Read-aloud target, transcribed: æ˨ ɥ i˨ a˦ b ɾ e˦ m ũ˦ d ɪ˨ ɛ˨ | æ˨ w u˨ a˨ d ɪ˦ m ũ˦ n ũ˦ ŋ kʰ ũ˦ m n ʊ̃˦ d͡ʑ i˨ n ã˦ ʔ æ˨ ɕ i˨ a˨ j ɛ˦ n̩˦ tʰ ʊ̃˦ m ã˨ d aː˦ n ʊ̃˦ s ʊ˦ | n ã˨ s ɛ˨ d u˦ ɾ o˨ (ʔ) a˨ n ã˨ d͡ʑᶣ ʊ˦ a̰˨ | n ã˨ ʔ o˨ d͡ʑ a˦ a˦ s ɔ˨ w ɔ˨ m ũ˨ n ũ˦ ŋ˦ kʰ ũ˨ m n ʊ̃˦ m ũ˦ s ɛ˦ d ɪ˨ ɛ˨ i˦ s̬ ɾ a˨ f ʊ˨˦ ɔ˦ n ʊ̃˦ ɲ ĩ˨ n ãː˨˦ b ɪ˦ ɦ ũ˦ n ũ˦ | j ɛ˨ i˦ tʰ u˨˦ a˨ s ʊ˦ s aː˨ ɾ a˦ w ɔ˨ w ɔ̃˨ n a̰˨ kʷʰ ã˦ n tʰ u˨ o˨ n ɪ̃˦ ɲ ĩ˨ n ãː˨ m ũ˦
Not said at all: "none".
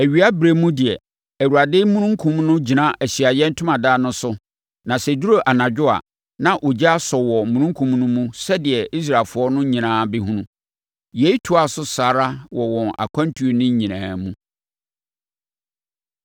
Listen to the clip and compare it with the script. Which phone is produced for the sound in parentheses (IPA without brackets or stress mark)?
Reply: ʔ